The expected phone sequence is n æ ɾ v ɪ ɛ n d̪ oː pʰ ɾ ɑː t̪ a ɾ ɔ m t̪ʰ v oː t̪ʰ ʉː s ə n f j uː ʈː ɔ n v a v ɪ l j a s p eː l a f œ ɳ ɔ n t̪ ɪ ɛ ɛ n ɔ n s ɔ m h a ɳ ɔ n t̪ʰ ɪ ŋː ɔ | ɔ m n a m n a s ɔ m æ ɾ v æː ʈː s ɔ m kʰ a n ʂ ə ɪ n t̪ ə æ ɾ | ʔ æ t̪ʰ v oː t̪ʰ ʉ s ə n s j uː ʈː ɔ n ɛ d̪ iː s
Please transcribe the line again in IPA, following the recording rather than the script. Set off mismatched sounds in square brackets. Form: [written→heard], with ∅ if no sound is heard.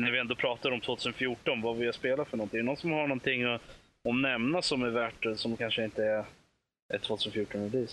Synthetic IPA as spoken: n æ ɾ v ɪ ɛ n d̪ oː pʰ ɾ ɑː t̪ a ɾ ɔ m t̪ʰ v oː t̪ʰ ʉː s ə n f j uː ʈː ɔ n v a v ɪ l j a s p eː l a f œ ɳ ɔ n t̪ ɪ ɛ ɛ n ɔ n s ɔ m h a ɳ ɔ n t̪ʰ ɪ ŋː ɔ | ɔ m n [a→ɛ] m n a s ɔ m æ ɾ v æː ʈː s ɔ m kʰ a n ʂ ə ɪ n t̪ ə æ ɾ | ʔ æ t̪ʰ v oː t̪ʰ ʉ s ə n [s→f] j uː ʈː ɔ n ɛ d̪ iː s